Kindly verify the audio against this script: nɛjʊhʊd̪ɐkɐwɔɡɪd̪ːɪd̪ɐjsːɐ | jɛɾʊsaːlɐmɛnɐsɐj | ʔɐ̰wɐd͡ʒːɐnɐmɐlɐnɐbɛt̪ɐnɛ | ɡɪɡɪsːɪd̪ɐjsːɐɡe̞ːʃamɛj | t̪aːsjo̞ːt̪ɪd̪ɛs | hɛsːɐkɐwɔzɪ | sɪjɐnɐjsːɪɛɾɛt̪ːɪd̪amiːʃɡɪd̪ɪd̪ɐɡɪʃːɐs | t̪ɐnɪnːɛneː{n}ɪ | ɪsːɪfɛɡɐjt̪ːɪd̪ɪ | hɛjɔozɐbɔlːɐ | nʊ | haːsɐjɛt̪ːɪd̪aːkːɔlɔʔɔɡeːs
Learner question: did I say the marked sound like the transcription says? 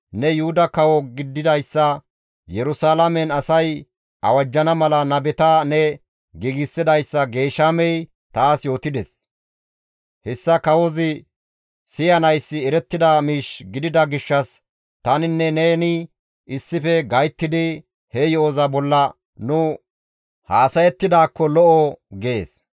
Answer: yes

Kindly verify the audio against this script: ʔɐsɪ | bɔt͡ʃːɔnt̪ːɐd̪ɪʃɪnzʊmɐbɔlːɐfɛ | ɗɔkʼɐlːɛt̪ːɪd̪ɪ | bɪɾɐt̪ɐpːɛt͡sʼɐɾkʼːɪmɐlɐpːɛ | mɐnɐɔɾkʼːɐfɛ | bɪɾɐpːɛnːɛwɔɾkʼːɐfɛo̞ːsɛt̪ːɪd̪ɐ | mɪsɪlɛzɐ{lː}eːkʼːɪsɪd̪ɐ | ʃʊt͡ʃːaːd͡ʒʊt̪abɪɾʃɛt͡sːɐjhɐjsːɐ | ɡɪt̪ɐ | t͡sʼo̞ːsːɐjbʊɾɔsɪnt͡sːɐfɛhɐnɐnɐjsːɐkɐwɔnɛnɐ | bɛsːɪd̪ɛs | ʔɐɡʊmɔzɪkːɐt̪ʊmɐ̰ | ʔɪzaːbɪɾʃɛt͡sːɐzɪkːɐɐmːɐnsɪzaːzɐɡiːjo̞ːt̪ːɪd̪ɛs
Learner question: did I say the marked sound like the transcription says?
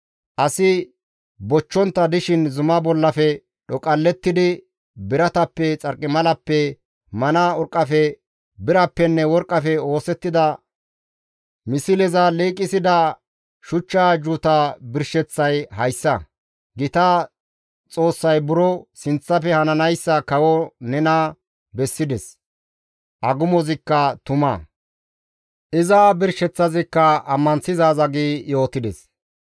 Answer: no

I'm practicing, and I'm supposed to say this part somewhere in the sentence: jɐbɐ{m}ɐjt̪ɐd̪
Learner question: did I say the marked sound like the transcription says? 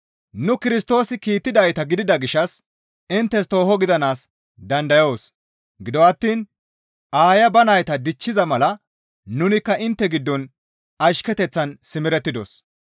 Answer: no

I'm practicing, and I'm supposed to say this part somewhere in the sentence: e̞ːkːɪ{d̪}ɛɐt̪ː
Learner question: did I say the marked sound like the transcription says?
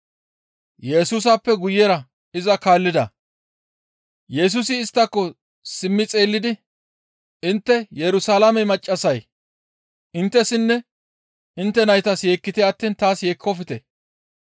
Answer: no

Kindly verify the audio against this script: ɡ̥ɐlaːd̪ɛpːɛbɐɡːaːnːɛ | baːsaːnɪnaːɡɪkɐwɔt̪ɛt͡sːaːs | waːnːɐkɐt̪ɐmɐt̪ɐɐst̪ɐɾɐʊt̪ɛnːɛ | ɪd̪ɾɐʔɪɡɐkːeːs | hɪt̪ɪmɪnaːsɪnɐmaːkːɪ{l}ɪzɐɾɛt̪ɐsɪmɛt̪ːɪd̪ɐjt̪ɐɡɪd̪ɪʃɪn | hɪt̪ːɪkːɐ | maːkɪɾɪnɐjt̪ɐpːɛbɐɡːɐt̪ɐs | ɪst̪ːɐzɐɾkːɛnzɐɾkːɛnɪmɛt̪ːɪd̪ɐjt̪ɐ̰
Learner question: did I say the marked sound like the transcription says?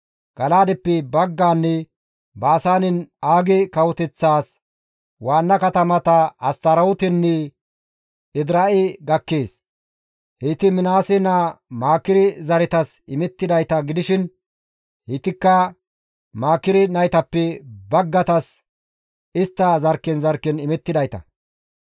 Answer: no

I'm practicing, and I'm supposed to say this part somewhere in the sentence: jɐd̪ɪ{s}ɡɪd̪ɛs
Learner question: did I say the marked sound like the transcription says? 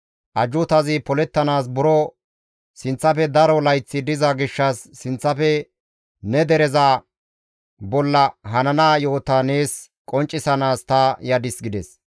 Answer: yes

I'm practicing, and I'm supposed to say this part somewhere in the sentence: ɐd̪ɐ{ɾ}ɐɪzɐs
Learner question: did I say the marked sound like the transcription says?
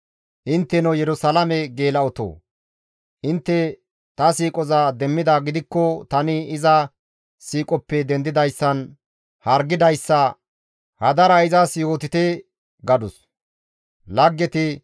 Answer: yes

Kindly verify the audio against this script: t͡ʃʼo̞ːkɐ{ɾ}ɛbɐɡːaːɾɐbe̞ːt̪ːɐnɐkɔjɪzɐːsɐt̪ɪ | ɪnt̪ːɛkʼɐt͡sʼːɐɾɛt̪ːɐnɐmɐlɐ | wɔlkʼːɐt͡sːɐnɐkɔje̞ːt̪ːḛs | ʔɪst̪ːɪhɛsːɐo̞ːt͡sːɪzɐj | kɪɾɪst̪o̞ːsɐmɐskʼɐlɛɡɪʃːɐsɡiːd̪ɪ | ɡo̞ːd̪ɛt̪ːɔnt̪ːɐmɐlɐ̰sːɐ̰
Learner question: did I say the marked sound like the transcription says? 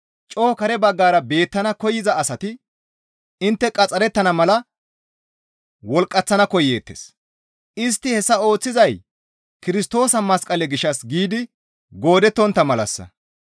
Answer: yes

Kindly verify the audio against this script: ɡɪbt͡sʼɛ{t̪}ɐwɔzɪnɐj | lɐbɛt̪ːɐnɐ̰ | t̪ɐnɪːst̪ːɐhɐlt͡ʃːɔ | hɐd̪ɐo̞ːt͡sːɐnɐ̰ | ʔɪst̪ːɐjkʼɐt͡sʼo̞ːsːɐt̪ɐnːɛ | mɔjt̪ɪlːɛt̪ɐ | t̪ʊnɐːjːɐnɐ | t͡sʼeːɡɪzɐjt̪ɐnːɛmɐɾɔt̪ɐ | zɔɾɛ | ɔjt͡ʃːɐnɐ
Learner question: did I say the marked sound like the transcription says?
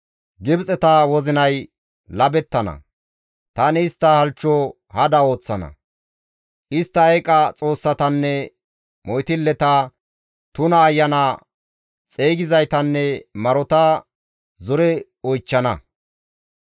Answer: yes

